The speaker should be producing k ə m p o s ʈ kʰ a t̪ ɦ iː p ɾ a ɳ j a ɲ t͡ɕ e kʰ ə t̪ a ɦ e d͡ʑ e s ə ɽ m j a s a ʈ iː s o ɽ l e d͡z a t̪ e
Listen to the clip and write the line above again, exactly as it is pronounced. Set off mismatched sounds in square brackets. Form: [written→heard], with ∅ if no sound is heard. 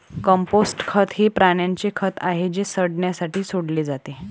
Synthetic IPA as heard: k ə m p o s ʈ kʰ [a→ə] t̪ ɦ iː p ɾ a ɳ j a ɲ t͡ɕ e kʰ ə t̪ a ɦ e d͡ʑ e s ə ɽ [m→ɳ] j a s a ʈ iː s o ɽ l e d͡z a t̪ e